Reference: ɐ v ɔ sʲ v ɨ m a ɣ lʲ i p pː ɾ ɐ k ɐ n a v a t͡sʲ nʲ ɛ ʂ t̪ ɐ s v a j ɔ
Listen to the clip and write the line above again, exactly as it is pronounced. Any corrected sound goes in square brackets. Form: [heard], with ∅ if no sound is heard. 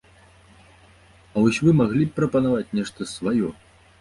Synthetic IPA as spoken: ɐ v ɔ sʲ v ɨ m a ɣ lʲ i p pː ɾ ɐ [p] ɐ n a v a t͡sʲ nʲ ɛ ʂ t̪ ɐ s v a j ɔ